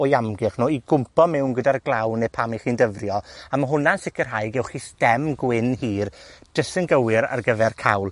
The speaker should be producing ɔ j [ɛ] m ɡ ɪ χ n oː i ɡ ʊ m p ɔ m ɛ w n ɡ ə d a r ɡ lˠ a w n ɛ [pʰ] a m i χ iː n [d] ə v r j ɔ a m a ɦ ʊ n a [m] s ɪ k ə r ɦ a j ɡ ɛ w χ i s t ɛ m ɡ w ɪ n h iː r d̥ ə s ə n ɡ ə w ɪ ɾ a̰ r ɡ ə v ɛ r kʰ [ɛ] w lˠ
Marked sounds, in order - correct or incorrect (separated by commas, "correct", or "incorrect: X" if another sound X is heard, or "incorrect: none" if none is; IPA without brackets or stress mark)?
incorrect: a, correct, correct, incorrect: n, incorrect: a